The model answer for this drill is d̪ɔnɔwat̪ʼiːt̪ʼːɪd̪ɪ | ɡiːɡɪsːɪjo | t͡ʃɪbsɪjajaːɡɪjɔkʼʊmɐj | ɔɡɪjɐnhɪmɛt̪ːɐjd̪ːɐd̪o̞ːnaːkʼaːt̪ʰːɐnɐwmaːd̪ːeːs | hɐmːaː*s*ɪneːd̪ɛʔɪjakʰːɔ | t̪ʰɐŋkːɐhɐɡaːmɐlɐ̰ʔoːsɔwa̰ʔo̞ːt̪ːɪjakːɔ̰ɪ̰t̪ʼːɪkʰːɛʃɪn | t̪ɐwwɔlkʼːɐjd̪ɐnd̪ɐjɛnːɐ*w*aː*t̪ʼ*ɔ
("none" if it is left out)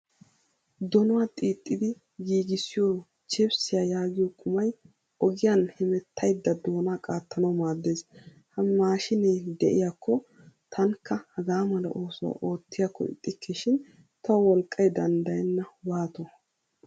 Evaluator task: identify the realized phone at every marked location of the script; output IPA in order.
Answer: ʃ, w, t̪

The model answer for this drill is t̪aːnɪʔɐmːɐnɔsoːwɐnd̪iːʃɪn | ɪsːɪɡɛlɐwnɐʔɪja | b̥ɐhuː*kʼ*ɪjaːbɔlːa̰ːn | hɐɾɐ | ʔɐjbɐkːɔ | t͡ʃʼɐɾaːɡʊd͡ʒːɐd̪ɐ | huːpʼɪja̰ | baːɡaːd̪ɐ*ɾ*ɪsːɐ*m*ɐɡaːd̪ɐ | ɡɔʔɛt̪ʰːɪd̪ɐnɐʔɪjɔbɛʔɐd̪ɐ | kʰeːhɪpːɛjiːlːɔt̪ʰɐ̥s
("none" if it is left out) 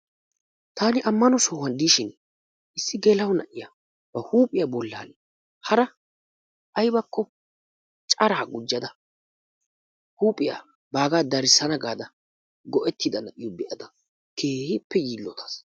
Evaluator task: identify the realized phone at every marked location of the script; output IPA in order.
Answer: pʼ, ɾ, n

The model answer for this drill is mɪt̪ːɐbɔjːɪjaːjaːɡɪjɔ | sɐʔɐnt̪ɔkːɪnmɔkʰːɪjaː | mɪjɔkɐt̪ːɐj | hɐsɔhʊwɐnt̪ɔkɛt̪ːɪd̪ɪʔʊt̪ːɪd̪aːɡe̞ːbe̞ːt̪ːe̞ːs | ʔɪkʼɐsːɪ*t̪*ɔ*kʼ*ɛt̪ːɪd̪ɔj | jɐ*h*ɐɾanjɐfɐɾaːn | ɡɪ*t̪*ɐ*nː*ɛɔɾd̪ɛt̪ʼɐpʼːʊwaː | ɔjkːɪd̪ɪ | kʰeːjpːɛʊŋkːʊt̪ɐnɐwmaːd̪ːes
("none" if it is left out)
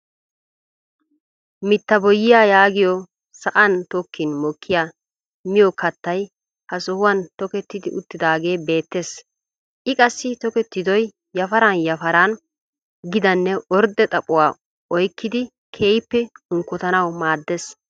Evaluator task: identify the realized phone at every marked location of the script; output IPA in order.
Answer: t̪, k, f, d̪, nː

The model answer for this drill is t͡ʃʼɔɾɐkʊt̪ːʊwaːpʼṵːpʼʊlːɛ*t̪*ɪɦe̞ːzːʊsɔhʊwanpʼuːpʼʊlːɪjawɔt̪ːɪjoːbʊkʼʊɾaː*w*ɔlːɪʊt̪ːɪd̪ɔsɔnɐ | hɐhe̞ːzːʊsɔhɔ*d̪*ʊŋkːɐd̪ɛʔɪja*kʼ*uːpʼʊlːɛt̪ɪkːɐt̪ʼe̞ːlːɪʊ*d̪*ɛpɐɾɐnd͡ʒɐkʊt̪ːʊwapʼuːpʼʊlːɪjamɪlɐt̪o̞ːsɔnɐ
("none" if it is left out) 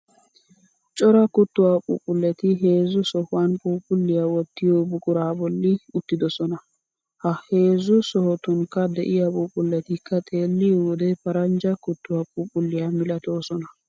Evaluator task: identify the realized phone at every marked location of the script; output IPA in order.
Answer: t̪, b, t̪, pʼ, d̪

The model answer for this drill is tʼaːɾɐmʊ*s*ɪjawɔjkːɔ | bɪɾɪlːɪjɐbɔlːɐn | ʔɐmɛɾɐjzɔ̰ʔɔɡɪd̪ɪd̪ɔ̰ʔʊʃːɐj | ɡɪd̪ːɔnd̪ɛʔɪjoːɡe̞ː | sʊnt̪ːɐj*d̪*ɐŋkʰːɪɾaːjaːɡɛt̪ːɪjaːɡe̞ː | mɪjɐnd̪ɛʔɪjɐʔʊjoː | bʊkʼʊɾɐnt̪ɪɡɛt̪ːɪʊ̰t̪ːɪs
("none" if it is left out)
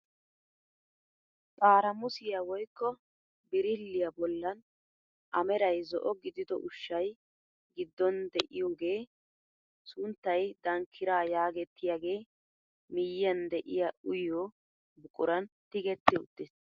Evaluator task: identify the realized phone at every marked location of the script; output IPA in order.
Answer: s, d̪

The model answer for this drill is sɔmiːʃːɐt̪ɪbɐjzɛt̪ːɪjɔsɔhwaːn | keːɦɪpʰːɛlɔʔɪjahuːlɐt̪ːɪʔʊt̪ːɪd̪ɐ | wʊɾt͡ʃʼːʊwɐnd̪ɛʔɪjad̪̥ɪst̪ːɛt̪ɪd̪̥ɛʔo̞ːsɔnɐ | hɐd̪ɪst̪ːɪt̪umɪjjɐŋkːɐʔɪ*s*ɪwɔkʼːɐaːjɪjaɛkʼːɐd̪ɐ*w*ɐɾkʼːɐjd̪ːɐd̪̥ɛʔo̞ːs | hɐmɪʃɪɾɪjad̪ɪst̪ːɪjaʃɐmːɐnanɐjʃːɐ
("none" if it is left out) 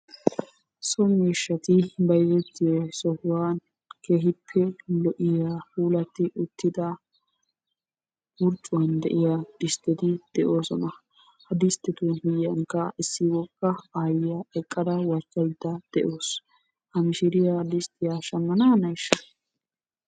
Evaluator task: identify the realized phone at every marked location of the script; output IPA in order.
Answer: sː, w

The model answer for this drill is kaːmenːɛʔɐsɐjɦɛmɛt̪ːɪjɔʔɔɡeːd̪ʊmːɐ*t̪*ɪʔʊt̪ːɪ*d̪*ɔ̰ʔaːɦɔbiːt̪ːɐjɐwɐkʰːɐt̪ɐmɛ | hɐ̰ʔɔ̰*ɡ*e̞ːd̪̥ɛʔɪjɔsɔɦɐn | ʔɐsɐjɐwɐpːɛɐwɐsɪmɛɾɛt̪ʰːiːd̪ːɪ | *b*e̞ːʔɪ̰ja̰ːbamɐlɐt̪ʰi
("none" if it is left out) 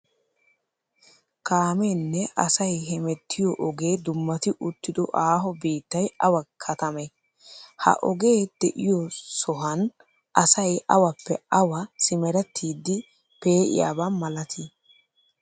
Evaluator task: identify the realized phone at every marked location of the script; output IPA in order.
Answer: t̪, d̪, ɡ, p

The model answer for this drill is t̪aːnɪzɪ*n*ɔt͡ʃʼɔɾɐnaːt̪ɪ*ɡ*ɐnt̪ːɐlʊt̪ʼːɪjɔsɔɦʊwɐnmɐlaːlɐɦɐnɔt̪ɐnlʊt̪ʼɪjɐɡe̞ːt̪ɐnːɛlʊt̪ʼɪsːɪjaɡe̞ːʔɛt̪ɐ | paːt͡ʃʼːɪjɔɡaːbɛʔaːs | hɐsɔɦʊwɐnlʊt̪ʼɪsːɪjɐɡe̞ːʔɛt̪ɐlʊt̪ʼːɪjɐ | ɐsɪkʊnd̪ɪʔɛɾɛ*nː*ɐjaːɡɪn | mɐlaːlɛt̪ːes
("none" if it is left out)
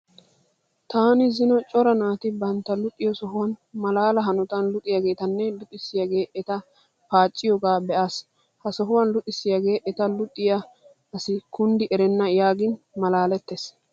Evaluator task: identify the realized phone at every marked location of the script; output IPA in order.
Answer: n, b, nː

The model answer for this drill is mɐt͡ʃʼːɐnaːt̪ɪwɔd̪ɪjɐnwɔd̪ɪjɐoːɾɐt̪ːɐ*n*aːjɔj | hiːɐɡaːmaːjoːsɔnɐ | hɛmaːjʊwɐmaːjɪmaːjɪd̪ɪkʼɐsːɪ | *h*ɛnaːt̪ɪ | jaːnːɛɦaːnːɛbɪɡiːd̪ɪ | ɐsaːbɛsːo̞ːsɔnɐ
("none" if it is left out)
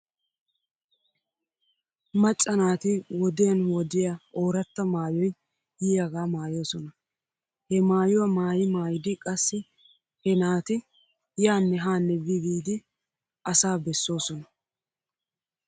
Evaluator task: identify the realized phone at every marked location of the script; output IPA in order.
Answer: m, h

